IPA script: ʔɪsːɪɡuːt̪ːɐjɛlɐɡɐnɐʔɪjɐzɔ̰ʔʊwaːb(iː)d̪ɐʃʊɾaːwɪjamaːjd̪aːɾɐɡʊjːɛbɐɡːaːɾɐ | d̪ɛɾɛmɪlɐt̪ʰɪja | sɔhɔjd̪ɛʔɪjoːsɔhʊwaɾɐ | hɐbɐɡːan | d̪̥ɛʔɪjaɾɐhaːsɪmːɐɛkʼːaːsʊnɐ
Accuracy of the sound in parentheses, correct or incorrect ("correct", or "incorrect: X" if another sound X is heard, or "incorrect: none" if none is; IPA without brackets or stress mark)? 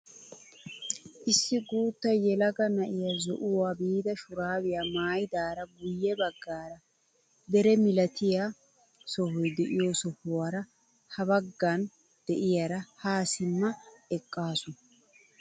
correct